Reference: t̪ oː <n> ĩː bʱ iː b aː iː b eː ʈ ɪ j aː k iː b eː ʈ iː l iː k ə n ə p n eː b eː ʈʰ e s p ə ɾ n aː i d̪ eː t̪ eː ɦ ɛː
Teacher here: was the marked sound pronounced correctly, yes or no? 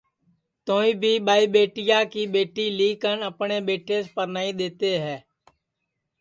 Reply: no